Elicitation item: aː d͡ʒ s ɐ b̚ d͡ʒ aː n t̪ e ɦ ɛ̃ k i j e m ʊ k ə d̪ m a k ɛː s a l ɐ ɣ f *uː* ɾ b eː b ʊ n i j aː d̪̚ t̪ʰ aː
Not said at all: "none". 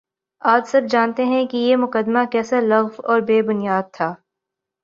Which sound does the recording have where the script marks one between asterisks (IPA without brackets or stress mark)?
ɔː